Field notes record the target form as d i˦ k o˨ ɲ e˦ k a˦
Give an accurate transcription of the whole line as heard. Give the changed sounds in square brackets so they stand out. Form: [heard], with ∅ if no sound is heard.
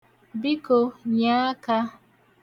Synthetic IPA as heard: [b] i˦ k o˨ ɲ [a˦] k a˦